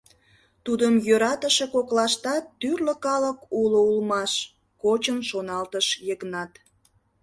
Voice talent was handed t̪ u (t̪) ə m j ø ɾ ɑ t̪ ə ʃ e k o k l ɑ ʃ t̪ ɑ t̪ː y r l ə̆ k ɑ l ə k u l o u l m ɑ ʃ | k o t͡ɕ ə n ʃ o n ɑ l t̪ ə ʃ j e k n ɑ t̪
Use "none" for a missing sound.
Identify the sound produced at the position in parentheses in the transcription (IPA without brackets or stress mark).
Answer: d̪